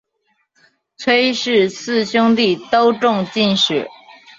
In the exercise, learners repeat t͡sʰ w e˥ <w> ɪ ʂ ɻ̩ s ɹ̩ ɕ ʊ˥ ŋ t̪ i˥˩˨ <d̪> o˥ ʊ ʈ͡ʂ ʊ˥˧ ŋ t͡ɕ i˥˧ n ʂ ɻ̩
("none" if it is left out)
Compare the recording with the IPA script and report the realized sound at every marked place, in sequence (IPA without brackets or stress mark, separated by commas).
none, t̪